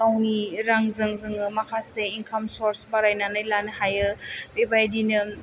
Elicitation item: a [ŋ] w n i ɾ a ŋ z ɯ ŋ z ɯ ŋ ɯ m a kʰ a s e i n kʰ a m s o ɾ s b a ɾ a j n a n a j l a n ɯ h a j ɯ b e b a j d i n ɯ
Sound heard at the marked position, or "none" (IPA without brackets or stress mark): none